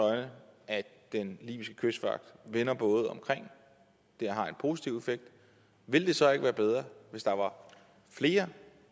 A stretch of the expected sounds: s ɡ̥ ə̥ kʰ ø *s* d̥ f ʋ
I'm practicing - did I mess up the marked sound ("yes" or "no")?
no